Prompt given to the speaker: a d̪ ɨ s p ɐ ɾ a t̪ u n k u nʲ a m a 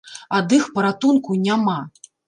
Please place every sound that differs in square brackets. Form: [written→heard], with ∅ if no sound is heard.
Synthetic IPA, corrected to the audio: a d̪ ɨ [s→x] p ɐ ɾ a t̪ u n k u nʲ a m a